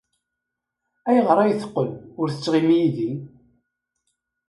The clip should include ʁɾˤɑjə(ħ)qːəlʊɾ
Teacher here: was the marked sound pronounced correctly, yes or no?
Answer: no